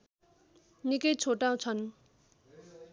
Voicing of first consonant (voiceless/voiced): voiced